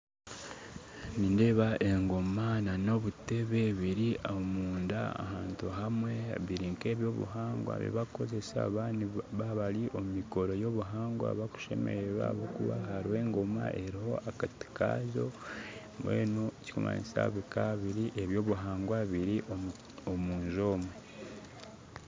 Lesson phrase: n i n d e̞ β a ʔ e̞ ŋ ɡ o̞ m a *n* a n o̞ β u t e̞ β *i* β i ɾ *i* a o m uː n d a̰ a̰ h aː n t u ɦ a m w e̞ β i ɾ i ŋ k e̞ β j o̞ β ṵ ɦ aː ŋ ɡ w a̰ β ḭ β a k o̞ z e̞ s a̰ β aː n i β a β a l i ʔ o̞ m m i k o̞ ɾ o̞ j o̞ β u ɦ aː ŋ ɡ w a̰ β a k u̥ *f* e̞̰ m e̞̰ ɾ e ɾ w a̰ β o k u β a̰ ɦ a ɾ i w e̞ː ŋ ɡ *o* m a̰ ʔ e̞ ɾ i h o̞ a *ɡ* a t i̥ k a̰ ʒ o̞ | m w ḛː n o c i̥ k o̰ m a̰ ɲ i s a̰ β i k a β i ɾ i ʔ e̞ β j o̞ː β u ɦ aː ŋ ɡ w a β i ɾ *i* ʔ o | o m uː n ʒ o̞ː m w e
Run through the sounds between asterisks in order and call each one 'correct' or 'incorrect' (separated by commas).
correct, incorrect, correct, incorrect, correct, incorrect, correct